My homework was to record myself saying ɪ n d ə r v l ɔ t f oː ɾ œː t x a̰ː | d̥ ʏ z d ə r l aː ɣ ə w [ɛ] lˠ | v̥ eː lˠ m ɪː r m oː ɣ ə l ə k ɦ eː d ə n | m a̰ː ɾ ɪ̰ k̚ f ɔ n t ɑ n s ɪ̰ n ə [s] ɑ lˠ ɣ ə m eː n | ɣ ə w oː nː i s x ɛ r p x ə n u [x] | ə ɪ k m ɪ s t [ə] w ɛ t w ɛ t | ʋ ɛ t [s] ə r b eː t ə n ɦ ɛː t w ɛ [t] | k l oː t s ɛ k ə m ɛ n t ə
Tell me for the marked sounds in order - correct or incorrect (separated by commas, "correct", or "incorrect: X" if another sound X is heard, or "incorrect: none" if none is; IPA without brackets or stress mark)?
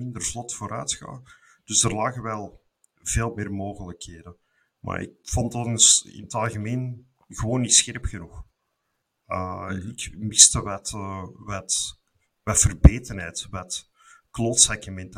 correct, incorrect: t, correct, correct, incorrect: f, correct